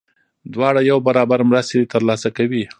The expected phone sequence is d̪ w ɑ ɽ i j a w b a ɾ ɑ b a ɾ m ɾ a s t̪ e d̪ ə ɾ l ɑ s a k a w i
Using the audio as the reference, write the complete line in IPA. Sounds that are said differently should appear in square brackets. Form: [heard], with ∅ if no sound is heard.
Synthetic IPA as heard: d̪ w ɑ ɽ [a] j a w b a ɾ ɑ b a ɾ m ɾ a s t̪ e [t̪] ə ɾ l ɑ s a k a w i